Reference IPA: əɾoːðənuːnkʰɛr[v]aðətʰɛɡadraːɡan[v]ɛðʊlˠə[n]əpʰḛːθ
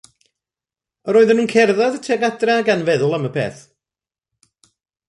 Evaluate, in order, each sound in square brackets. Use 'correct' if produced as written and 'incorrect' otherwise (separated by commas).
incorrect, correct, incorrect